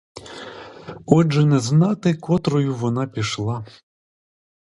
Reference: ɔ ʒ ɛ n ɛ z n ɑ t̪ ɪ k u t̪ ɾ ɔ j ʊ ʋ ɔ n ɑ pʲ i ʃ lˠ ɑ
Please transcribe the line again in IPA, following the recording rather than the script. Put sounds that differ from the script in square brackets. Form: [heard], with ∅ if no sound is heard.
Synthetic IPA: ɔ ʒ ɛ n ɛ z n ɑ t̪ ɪ k [ɔ] t̪ ɾ ɔ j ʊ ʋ ɔ n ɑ pʲ i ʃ lˠ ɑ